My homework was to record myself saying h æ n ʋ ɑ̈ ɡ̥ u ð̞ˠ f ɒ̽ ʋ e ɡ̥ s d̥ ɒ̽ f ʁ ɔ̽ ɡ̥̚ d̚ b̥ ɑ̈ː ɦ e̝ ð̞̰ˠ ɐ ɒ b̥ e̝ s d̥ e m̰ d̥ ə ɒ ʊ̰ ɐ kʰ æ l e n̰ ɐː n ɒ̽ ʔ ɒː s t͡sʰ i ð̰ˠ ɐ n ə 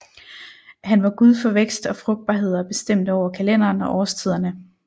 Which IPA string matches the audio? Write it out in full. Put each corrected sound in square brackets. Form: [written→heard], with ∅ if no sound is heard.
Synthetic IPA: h æ n ʋ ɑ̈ ɡ̥ u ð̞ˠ f ɒ̽ ʋ e ɡ̥ s d̥ ɒ̽ f ʁ ɔ̽ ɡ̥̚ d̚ b̥ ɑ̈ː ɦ e̝ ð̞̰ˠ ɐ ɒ b̥ e̝ s d̥ e m̰ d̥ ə ɒ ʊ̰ ɐ kʰ æ l e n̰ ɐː n ɒ̽ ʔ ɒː s t͡sʰ i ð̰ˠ ɐ n ə